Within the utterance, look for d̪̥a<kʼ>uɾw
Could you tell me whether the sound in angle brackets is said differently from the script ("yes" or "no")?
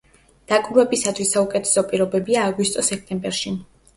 no